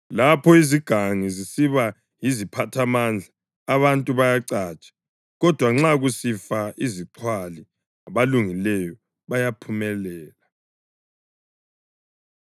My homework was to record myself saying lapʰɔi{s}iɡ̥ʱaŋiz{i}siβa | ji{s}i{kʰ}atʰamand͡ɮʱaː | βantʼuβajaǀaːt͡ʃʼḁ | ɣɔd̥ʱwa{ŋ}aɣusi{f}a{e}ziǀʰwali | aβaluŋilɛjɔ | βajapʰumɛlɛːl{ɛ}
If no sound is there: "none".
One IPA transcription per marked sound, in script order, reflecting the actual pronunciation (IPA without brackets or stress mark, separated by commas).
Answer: z, i, z, pʰ, ŋ͡ǁ, f, i, a